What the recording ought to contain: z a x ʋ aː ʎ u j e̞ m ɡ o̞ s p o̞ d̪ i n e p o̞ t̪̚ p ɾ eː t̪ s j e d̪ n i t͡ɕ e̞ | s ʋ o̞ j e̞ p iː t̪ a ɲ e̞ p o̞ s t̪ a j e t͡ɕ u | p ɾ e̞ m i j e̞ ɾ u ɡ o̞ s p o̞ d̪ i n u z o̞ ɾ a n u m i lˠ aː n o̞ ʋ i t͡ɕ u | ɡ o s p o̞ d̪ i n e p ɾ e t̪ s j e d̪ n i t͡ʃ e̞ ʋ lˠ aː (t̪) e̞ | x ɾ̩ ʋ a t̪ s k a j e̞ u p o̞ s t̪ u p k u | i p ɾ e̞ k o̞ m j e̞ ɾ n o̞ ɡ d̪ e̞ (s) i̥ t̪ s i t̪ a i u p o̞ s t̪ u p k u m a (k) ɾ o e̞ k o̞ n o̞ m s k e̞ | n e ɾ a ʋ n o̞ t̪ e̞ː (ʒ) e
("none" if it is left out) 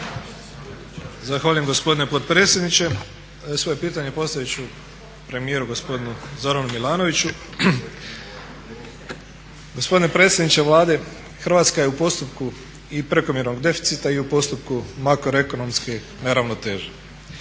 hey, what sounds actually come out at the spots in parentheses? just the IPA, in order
d̪, f, k, ʒ

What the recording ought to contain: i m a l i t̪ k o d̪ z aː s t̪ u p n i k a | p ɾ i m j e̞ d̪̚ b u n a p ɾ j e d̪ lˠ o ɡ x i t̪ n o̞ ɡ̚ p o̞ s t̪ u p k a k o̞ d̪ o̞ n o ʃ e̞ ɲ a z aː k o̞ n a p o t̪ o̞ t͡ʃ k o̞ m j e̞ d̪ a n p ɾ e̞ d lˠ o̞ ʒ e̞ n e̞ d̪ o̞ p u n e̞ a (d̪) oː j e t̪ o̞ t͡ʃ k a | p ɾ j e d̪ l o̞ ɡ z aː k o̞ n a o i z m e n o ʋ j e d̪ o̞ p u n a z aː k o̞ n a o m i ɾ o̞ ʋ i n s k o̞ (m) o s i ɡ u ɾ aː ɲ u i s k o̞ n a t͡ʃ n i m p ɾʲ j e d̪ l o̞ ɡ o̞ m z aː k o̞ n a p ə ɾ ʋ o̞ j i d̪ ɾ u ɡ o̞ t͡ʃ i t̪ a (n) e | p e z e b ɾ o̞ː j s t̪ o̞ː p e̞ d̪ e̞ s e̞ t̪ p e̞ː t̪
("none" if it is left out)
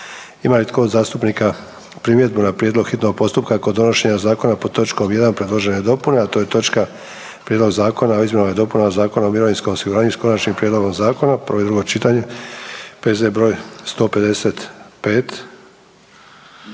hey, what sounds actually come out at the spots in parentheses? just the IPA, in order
t̪, m, ɲ

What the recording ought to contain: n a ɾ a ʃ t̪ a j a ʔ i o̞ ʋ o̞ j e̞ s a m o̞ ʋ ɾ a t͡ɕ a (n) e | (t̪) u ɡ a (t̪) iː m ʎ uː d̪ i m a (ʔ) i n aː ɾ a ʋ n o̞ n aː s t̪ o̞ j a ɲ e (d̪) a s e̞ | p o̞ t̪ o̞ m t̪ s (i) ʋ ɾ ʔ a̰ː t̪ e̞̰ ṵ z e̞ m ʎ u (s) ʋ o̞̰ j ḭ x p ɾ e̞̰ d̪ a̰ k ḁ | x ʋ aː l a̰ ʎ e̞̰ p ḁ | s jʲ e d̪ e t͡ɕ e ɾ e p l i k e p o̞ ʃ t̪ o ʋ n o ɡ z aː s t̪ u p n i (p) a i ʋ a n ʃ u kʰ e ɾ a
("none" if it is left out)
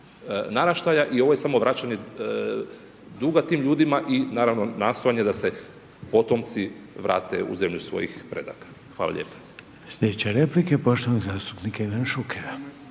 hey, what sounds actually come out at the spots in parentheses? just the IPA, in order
ɲ, d̪, t̪, ʔ, d̪, i, s, k

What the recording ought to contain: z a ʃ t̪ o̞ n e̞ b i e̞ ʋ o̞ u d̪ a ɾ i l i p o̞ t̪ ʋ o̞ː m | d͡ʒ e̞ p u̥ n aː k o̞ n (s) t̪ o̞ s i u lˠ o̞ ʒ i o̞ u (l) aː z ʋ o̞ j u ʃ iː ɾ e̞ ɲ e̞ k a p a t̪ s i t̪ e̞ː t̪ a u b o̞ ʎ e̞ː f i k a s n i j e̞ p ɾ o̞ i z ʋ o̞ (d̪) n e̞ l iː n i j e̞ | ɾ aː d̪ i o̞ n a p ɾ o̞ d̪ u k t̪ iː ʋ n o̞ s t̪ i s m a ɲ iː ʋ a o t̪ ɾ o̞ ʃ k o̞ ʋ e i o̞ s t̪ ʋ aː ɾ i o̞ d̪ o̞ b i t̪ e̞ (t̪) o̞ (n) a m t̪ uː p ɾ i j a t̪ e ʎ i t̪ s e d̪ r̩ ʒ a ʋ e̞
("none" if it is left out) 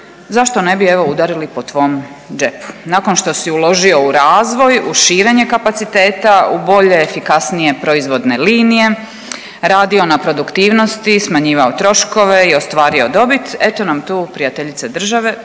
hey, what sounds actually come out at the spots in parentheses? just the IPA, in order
ʃ, ɾ, d̪, t̪, n

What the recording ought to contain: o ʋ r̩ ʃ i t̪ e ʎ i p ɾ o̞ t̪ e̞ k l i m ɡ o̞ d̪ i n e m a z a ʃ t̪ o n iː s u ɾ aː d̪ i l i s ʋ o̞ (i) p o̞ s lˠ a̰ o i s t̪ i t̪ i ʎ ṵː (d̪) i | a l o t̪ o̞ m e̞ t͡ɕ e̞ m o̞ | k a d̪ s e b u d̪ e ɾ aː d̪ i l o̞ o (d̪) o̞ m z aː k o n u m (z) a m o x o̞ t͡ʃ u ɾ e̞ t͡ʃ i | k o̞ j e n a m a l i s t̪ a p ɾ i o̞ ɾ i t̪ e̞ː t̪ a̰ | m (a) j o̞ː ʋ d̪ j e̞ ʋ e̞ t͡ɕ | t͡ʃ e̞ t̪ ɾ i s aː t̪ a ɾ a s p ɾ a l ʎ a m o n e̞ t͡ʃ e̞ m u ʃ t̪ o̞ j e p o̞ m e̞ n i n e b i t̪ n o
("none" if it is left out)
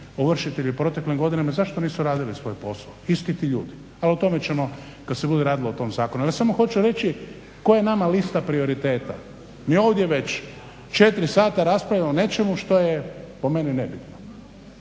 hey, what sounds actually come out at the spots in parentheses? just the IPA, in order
j, d̪, t̪, s, i

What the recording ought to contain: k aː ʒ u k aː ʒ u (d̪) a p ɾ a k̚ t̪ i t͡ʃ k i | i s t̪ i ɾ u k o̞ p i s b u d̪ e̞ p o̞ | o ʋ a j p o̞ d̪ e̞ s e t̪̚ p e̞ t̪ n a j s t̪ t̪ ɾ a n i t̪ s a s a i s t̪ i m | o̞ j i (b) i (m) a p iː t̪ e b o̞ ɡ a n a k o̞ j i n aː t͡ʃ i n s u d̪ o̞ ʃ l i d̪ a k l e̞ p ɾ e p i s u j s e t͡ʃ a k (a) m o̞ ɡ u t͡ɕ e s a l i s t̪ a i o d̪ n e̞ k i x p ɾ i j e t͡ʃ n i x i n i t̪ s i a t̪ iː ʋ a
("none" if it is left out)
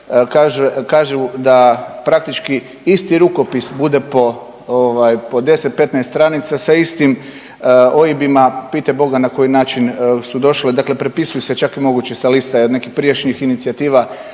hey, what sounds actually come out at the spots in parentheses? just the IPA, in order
d̪, b, m, i

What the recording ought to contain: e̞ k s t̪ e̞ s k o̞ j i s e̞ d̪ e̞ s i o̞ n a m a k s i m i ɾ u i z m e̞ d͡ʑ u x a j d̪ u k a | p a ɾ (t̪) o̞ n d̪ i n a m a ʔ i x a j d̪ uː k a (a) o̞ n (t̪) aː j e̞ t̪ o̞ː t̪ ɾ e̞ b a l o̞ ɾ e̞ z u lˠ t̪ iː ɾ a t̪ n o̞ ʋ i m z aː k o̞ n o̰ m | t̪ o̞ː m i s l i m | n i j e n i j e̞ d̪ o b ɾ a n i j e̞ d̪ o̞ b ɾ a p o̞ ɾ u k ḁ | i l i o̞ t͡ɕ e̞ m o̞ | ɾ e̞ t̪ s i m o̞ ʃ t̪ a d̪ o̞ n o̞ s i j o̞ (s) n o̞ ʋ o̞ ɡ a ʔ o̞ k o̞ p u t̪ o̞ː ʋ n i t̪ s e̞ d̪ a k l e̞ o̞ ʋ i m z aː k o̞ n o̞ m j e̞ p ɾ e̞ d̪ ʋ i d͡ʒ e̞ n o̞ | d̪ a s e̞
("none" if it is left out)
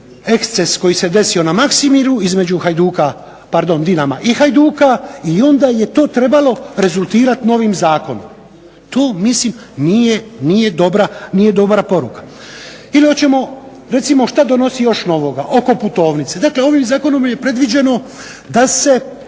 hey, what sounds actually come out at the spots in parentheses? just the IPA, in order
d̪, i, d̪, ʃ

